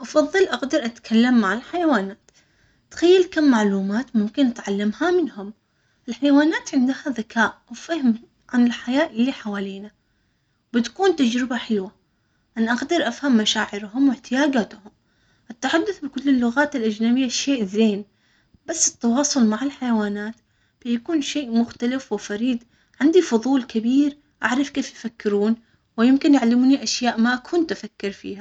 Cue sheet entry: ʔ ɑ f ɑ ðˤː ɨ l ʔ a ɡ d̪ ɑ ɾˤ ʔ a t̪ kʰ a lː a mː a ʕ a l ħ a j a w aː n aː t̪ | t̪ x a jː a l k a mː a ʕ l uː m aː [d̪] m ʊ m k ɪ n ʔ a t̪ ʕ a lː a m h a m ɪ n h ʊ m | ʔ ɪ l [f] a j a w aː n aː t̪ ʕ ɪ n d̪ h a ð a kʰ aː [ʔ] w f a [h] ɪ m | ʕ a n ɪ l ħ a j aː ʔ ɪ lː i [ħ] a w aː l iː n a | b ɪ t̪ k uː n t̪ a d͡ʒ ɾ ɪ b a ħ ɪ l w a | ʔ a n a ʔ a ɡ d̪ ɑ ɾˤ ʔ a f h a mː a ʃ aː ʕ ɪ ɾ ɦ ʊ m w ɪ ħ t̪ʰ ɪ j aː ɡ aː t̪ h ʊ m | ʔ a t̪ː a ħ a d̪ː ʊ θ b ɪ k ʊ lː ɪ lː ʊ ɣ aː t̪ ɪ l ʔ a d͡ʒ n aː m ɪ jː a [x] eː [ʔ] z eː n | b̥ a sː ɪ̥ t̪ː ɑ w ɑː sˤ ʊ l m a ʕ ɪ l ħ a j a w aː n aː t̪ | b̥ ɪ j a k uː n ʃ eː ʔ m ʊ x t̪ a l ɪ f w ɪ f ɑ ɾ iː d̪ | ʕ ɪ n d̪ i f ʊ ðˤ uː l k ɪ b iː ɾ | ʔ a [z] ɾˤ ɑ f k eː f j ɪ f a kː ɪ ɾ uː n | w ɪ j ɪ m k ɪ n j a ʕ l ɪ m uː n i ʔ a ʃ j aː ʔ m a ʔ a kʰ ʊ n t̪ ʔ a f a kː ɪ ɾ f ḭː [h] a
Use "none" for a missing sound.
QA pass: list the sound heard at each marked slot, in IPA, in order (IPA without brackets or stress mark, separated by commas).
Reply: t̪, ħ, ʔ, h, ħ, ʃ, ʔ, ʕ, h